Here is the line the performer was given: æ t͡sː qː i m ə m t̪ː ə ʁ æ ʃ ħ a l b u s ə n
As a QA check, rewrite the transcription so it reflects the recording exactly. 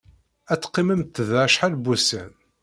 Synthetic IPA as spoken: æ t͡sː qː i m ə m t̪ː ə ð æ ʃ ħ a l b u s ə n